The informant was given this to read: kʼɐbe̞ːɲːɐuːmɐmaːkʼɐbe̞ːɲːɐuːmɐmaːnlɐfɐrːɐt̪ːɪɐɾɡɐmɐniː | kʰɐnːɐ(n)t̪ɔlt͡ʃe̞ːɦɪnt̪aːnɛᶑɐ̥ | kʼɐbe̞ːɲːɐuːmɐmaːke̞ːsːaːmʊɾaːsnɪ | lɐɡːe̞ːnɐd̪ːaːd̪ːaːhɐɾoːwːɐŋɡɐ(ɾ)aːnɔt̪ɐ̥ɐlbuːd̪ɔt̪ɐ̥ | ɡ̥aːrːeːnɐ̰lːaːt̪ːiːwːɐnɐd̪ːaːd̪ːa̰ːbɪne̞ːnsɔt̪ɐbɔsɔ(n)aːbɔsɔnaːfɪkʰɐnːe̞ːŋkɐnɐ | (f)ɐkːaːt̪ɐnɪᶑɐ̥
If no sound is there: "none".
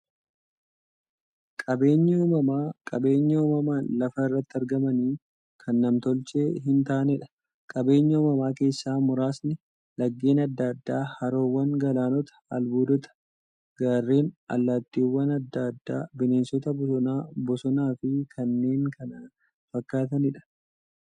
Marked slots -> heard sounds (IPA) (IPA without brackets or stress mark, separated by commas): m, l, n, f